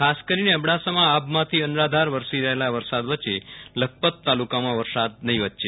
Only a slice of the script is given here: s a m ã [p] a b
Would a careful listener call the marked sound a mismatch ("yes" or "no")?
yes